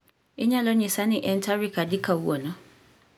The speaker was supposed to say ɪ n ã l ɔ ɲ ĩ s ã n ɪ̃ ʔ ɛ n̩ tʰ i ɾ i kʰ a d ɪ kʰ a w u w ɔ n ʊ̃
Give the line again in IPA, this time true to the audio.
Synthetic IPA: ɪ ɲ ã l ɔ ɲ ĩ s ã n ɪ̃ ʔ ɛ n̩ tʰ a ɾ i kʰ a d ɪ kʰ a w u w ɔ n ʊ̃